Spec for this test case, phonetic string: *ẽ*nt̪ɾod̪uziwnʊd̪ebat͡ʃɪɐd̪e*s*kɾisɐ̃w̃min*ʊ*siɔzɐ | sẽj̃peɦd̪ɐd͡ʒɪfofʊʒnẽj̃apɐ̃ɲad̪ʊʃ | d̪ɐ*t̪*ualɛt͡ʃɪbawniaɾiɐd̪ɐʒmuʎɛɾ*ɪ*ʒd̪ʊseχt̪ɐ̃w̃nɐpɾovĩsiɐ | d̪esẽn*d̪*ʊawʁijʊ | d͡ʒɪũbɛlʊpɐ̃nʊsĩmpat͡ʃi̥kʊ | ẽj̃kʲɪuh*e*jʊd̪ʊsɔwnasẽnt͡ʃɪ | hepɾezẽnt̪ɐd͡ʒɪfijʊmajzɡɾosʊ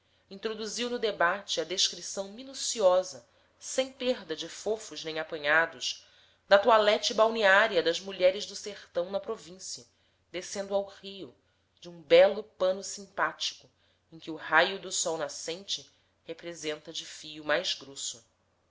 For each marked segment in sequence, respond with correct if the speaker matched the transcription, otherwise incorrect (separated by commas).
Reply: incorrect, incorrect, incorrect, correct, correct, correct, incorrect